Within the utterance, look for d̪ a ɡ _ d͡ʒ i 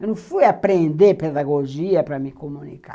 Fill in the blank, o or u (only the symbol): o